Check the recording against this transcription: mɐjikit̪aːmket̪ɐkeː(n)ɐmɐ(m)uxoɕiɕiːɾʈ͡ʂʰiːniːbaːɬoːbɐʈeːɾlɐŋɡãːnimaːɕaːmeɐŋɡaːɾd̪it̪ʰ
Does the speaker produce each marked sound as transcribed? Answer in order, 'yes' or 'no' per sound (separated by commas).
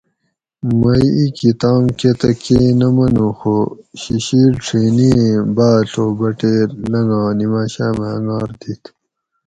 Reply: yes, no